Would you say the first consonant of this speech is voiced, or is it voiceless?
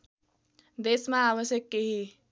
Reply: voiced